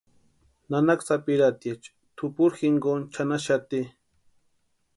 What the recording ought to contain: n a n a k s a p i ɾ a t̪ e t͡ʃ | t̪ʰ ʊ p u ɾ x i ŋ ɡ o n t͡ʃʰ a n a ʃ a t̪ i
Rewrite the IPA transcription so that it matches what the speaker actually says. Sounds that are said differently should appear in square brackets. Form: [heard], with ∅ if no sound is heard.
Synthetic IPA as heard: n a n a k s a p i ɾ a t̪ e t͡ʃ | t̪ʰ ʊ p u ɾ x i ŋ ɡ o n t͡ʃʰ a n a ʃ a t̪ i